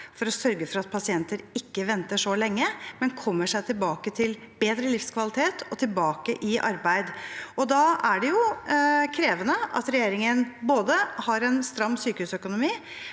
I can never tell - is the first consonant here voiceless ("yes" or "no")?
yes